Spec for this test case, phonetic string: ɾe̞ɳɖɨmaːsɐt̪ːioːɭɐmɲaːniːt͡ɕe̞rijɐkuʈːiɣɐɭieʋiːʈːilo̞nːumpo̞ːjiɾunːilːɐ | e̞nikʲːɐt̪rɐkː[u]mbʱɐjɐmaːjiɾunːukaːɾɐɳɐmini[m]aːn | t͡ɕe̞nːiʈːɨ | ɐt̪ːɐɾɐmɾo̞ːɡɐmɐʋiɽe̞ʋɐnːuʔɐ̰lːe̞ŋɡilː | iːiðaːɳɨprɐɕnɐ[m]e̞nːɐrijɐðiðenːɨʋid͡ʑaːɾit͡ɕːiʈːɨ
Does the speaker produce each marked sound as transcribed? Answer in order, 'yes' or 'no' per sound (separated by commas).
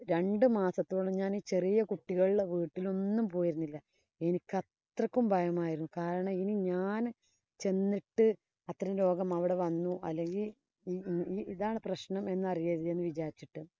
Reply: yes, no, yes